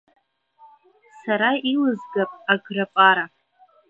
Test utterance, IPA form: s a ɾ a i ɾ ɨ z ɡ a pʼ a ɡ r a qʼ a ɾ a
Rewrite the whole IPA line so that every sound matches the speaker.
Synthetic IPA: s a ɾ a i l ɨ z ɡ a pʼ a ɡ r a pʼ a ɾ a